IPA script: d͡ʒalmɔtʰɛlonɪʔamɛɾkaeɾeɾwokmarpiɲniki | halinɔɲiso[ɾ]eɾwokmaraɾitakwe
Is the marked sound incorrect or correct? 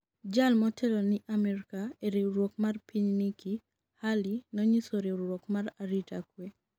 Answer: correct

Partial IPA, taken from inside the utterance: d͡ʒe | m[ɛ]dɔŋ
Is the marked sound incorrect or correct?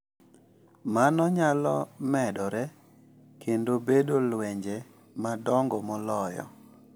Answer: incorrect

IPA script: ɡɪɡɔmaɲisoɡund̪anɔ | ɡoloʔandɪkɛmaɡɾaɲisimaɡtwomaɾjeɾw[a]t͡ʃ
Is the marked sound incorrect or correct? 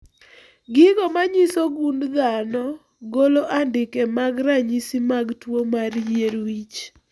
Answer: incorrect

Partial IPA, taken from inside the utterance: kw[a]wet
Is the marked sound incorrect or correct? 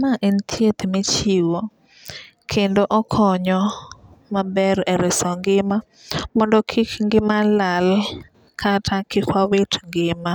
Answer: correct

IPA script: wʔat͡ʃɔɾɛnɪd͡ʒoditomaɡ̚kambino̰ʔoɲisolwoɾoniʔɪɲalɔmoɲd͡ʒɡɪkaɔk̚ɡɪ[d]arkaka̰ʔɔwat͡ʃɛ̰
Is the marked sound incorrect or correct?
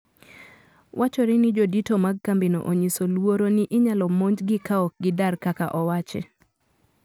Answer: correct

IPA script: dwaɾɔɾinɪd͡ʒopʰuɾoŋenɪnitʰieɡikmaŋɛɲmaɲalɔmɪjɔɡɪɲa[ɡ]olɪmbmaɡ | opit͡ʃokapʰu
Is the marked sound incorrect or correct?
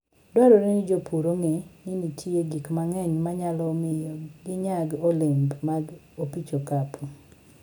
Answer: correct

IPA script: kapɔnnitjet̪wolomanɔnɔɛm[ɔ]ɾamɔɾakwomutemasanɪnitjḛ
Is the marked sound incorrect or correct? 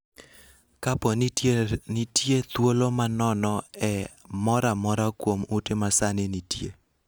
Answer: correct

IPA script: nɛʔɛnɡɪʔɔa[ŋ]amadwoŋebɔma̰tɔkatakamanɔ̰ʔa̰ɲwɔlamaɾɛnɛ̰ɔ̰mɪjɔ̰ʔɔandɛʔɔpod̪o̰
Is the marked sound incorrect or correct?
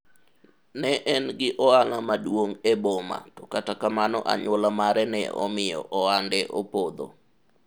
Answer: correct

